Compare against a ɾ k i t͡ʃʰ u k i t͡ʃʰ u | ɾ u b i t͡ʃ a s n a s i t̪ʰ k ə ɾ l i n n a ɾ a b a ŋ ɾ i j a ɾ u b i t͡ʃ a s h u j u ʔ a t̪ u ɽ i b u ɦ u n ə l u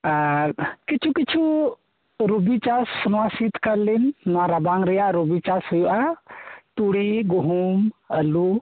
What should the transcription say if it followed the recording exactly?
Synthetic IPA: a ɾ k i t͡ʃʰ u k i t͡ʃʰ u | ɾ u b i t͡ʃ a s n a s i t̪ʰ k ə ɾ l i n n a ɾ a b a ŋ ɾ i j a ɾ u b i t͡ʃ a s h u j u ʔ a t̪ u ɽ i ɡ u ɦ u m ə l u